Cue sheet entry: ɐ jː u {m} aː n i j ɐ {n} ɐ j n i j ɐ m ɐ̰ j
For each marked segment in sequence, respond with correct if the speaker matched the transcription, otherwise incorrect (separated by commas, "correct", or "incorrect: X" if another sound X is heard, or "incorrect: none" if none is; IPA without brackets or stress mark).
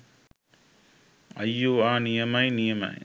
incorrect: none, incorrect: m